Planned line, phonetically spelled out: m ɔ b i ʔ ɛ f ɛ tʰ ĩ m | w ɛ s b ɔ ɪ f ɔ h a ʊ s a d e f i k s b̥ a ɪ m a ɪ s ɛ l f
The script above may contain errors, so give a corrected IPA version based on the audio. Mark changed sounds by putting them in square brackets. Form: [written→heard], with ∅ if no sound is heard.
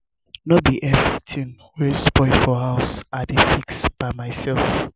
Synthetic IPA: [m→n] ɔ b i ʔ ɛ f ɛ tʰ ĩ [m→n] | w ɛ s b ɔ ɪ f ɔ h a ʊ s a d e f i k s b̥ a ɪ m a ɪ s ɛ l f